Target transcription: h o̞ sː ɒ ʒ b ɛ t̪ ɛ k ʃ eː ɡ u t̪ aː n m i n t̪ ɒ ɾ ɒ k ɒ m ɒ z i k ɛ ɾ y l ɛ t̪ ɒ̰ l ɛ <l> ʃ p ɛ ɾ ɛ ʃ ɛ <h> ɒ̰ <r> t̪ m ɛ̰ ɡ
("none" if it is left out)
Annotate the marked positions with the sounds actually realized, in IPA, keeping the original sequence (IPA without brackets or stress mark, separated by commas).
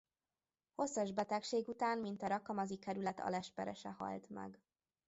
none, h, l